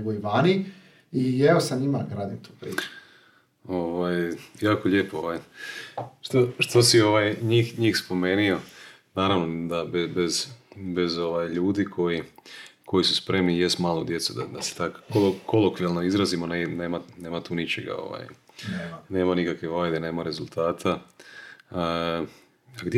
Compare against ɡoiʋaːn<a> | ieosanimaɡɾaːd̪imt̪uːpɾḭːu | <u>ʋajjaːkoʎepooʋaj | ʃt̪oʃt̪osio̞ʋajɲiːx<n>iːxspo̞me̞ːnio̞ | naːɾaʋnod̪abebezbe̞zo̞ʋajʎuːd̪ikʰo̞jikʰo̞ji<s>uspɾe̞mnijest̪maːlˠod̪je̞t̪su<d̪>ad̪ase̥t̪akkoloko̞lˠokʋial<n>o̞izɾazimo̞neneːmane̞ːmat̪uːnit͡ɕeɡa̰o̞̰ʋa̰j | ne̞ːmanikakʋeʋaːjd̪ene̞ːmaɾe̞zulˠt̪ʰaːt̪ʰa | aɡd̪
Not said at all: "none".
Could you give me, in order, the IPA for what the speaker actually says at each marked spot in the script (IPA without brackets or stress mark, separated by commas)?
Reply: i, o, ɲ, s, d̪, n